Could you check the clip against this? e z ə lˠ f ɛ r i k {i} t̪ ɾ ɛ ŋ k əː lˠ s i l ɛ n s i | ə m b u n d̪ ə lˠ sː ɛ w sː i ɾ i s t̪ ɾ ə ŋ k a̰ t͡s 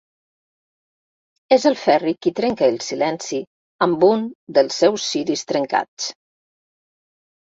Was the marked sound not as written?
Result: no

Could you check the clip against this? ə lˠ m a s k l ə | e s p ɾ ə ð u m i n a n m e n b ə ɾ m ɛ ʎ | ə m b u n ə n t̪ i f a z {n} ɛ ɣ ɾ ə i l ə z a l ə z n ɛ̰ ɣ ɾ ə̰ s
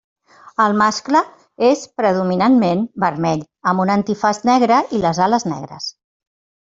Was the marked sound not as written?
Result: no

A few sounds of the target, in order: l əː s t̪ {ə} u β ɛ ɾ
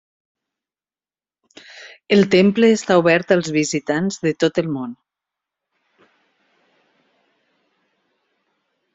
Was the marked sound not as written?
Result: yes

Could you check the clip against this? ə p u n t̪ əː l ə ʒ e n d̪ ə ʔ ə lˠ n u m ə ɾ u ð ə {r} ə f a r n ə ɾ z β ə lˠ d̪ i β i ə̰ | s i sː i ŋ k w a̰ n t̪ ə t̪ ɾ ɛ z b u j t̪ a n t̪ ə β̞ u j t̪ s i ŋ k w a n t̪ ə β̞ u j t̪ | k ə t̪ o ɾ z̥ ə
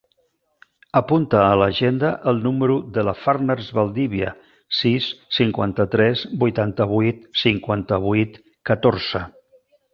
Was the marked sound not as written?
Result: yes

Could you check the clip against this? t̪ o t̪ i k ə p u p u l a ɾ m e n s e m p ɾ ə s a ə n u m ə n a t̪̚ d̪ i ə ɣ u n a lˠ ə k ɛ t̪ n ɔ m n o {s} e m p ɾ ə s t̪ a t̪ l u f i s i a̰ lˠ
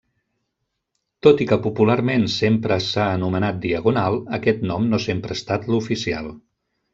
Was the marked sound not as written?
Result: no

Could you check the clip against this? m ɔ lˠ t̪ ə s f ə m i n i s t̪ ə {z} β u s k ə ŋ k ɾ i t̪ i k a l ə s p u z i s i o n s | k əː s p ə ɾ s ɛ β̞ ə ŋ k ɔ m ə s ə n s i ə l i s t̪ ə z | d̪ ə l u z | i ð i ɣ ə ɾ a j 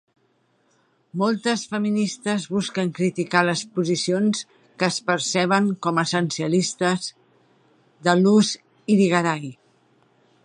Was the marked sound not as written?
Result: no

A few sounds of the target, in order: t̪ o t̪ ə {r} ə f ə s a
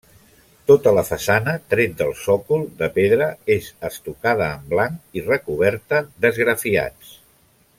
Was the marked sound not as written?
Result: yes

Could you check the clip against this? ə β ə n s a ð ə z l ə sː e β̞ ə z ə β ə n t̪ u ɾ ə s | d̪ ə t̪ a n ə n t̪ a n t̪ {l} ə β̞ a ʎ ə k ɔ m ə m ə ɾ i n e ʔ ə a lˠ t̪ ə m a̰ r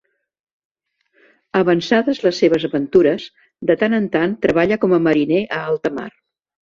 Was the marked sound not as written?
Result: yes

